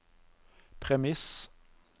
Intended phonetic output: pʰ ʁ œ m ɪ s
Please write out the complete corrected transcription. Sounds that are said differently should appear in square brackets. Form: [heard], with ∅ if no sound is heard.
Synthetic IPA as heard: pʰ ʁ [ɛ] m ɪ s